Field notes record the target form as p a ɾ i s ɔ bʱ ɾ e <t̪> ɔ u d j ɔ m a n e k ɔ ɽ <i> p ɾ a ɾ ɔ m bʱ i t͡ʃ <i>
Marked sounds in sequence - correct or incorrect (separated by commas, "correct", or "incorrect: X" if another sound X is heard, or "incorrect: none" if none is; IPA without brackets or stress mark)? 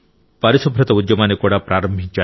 correct, incorrect: a, incorrect: a